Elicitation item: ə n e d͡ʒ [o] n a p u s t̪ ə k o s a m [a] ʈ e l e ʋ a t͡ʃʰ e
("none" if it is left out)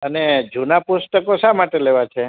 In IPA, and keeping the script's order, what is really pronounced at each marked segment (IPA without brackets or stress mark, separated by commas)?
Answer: u, a